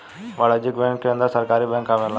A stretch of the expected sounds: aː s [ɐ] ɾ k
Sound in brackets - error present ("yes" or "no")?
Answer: no